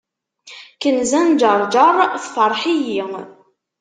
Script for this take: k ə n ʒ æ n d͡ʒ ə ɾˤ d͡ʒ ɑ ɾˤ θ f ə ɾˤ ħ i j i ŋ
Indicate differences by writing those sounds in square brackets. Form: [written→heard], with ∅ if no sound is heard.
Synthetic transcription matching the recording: k ə n [ʒ→z] æ n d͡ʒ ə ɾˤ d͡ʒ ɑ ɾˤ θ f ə ɾˤ ħ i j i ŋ